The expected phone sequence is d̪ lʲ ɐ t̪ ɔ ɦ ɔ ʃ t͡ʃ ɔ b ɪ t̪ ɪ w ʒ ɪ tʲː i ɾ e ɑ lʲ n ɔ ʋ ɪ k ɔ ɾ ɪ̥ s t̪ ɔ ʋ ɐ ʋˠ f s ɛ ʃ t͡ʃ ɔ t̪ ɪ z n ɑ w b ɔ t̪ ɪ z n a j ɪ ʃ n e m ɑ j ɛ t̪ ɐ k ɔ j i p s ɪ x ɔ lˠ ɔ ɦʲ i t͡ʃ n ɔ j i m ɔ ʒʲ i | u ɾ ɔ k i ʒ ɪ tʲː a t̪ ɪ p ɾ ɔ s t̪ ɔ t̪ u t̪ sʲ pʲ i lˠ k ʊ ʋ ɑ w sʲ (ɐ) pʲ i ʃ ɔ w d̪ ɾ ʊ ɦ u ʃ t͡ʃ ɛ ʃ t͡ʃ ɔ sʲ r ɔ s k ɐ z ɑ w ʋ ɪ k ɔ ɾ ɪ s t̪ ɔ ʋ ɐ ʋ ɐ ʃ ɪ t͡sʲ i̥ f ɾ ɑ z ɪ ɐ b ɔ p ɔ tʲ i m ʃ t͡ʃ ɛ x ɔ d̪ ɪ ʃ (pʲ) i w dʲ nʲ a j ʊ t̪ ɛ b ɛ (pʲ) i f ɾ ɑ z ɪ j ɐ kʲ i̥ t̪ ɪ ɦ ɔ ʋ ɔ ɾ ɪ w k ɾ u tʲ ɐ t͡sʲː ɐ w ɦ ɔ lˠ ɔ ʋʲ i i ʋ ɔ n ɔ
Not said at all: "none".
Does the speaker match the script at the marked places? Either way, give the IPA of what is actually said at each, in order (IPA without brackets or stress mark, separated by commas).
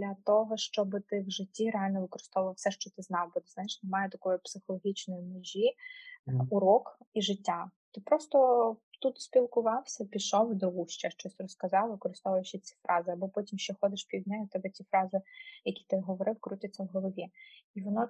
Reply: ɐ, pʲ, tʲ